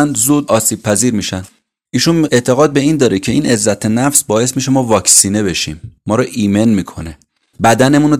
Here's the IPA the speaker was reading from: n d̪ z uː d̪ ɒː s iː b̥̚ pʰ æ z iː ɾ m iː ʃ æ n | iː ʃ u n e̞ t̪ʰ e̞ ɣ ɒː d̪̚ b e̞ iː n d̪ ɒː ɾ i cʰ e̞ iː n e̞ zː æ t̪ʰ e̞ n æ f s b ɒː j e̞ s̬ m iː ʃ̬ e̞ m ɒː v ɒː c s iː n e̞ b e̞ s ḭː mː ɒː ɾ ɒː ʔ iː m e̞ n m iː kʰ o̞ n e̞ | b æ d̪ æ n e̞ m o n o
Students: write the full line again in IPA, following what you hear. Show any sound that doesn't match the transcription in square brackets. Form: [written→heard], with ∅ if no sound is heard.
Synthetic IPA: n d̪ z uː d̪ ɒː s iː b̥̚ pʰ æ z iː ɾ m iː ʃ æ n | iː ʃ u n e̞ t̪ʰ e̞ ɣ ɒː d̪̚ b e̞ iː n d̪ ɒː ɾ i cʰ e̞ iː n e̞ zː æ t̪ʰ e̞ n æ f s b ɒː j e̞ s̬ m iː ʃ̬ e̞ m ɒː v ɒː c s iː n e̞ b e̞ [s→ʃ] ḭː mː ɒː ɾ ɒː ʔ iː m e̞ n m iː kʰ o̞ n e̞ | b æ d̪ æ n e̞ m [o→u] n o